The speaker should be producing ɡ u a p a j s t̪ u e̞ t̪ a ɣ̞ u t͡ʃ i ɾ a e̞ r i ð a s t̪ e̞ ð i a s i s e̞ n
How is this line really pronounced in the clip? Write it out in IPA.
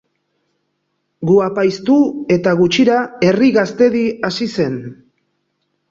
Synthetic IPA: ɡ u a p a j s t̪ u e̞ t̪ a ɣ̞ u t͡ʃ i ɾ a e̞ r i ɣ a s t̪ e̞ ð i a s i s e̞ n